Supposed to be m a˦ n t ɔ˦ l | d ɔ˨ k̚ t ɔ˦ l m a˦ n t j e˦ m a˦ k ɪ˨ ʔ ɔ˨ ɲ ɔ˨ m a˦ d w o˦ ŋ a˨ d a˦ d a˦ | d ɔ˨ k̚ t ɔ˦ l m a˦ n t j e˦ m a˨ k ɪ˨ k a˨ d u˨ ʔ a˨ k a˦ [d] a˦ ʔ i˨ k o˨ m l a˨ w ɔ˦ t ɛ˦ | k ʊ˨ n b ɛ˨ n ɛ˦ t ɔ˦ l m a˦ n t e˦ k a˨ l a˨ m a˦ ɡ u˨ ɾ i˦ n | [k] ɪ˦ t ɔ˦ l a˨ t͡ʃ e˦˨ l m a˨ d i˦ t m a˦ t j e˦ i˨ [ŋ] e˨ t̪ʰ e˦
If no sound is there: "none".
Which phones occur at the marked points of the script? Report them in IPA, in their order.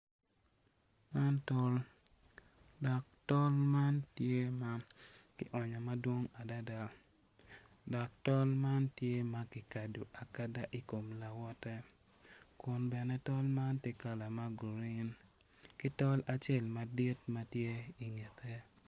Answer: d, k, ŋ

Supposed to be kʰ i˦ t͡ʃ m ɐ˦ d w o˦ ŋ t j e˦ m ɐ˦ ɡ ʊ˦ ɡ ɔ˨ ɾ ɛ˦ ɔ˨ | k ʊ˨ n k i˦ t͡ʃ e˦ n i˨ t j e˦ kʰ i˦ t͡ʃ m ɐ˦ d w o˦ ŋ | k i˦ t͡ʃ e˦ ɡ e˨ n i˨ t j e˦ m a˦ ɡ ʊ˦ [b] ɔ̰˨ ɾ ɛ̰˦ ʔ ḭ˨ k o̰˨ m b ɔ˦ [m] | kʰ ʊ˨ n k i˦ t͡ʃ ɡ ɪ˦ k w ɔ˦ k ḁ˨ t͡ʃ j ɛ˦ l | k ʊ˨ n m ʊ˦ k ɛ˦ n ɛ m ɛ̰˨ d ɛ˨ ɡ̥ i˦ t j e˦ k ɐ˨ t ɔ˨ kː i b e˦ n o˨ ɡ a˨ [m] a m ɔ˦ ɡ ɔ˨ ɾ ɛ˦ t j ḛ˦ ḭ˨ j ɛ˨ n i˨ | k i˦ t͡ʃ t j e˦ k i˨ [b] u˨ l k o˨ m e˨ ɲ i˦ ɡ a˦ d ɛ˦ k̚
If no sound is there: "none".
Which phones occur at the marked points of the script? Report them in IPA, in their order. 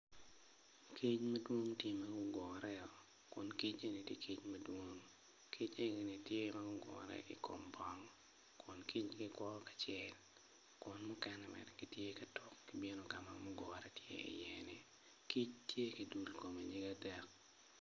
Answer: ɡ, ŋ, m, d

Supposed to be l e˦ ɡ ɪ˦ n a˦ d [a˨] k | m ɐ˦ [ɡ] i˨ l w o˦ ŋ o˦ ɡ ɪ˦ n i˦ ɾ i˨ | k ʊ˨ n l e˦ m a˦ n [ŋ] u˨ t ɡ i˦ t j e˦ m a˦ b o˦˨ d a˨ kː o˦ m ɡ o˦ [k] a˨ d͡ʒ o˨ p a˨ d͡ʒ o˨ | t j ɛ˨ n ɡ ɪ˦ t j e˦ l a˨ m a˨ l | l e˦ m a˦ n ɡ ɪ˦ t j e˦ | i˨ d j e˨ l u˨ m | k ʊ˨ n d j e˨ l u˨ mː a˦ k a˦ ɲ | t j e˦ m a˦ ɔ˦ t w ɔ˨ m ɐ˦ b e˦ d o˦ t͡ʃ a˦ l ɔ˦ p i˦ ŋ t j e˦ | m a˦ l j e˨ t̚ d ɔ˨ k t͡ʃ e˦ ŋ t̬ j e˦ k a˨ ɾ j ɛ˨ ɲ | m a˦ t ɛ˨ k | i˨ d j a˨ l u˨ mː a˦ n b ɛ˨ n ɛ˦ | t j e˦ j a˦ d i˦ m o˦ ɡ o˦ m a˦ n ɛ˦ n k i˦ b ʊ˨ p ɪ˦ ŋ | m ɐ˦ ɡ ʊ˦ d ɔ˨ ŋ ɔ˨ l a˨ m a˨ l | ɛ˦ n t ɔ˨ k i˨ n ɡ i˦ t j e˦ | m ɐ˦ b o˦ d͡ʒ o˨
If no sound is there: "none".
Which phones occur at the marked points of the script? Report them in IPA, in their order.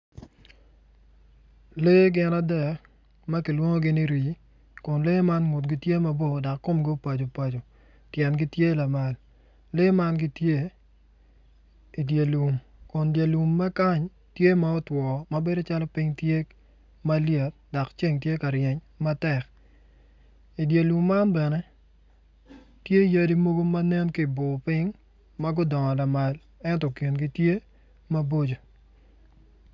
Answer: ɛ˨, k, ŋ, p

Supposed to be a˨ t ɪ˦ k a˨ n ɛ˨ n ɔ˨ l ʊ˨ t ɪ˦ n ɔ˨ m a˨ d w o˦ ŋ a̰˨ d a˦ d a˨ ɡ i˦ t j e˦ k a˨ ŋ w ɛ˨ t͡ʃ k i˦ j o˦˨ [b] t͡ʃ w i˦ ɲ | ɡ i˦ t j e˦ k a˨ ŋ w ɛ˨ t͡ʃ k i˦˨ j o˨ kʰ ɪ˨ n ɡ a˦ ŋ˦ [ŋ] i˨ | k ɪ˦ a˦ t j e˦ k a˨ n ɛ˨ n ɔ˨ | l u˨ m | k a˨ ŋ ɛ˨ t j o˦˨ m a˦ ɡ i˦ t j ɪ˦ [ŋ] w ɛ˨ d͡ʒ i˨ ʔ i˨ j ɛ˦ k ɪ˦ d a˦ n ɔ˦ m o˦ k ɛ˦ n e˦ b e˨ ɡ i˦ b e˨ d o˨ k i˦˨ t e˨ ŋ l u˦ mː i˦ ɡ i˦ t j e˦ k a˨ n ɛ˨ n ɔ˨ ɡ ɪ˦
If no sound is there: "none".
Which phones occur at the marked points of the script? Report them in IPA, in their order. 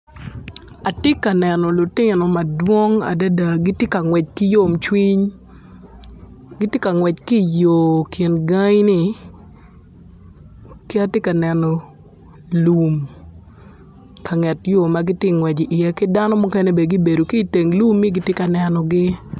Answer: m, n, ŋ

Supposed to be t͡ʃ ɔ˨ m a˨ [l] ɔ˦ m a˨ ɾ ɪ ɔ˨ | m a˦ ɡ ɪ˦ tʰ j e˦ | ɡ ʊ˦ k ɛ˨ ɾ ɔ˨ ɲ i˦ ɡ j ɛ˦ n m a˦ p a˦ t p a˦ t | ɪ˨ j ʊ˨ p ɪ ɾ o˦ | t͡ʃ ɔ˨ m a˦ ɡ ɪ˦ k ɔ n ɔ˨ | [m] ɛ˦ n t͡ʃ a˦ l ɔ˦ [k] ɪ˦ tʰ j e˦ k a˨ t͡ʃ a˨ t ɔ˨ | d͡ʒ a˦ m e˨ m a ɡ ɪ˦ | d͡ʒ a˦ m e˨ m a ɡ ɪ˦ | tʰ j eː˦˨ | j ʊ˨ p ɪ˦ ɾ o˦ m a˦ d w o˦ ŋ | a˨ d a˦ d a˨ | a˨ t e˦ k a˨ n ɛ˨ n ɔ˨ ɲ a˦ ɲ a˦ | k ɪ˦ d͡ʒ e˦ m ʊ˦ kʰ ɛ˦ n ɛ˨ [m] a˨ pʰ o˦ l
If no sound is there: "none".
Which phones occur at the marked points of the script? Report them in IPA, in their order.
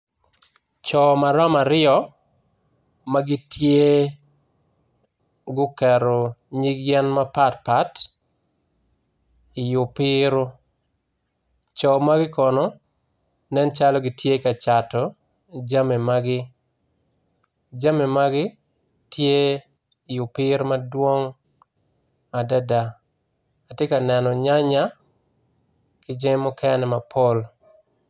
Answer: ɾ, n, ɡ, m

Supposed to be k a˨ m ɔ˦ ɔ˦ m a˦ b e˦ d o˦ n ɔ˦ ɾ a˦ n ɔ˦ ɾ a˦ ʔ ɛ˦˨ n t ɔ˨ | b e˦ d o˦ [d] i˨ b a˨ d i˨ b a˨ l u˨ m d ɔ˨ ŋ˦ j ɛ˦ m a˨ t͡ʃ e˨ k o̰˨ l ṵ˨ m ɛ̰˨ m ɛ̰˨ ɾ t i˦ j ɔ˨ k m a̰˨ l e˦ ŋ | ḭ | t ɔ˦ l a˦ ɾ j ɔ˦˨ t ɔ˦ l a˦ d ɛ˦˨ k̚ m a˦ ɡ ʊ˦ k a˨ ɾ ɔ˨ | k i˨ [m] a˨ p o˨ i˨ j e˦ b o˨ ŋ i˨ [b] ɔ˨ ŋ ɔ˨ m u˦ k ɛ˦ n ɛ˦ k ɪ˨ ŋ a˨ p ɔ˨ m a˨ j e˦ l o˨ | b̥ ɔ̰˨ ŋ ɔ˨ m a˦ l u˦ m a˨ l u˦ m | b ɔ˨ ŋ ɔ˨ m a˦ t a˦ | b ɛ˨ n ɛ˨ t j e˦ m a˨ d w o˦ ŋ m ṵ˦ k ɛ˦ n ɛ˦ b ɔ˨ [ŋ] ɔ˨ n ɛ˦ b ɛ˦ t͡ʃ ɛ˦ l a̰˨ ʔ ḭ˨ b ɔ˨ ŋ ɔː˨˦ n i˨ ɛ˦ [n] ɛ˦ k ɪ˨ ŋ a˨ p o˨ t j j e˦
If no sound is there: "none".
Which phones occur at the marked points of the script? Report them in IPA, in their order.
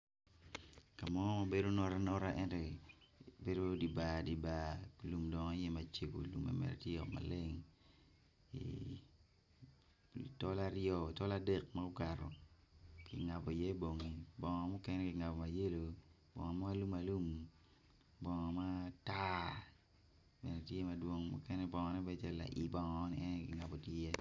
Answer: d, ŋ, b, ŋ, n

